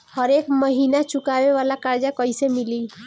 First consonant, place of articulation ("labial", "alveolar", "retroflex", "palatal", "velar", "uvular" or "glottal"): glottal